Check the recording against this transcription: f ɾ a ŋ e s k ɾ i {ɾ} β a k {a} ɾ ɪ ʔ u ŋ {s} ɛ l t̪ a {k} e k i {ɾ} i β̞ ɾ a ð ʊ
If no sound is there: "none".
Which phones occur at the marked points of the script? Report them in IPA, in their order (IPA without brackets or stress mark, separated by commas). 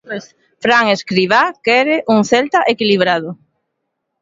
none, ɛ, θ, ʔ, l